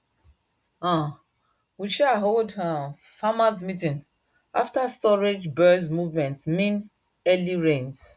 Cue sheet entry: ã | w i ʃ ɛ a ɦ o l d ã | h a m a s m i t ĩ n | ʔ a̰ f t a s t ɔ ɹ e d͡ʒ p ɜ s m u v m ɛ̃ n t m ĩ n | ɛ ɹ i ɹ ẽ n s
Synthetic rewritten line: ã | w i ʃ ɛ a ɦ o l d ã | f a m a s m i t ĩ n | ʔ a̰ f t a s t ɔ ɹ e d͡ʒ b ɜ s m u v m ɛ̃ n t m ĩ n | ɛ l i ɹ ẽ n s